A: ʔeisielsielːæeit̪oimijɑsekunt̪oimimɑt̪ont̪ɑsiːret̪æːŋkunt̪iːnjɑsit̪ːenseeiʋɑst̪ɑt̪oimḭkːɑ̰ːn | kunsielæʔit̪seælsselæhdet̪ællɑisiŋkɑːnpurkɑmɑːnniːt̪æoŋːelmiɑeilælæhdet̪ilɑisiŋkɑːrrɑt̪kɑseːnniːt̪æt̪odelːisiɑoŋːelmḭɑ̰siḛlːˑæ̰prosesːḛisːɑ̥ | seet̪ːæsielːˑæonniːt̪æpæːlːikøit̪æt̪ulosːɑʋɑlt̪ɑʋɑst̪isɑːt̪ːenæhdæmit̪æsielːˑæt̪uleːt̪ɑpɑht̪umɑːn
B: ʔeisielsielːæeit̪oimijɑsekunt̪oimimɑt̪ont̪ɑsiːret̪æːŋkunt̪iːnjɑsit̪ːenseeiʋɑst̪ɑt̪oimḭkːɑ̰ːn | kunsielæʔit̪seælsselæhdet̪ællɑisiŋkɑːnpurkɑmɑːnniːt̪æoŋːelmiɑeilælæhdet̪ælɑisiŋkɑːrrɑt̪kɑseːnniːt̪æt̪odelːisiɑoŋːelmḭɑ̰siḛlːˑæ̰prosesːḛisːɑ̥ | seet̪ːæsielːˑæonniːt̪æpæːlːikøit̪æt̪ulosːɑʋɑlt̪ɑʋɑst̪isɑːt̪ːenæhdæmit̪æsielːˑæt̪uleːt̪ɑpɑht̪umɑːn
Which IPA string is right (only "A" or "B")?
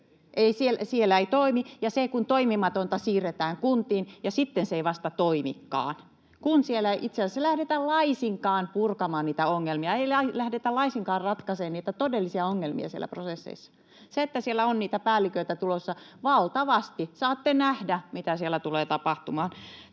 B